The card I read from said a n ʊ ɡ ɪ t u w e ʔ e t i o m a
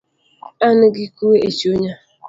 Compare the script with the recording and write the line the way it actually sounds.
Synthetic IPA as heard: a n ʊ ɡ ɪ k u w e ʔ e t͡ʃ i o ɲ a